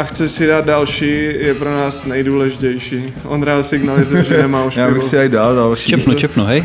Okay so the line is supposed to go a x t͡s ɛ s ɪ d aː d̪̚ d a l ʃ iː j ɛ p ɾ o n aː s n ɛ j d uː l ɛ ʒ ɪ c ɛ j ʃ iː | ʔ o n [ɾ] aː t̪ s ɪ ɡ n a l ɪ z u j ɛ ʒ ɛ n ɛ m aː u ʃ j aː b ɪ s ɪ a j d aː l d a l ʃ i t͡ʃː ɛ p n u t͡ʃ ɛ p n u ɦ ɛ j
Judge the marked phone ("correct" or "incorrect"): correct